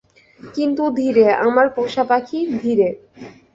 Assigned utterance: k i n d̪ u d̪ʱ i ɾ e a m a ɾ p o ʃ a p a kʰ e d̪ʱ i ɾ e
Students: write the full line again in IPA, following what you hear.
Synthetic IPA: k i n t̪ u d̪ʱ i ɾ e a m a ɾ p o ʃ a p a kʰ i d̪ʱ i ɾ e